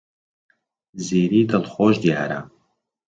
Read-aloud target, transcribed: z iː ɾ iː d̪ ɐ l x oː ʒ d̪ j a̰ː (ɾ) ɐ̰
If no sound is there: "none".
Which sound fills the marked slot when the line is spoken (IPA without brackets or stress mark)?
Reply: ɾ